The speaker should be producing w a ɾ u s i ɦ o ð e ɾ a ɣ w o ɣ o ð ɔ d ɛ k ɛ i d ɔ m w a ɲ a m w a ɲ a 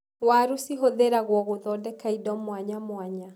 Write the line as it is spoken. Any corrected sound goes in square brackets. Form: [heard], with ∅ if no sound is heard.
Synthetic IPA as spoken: w a ɾ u s i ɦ o ð e ɾ a ɣ w [ɔ] ɣ o ð ɔ d ɛ k [a] i d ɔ m w a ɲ a m w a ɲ a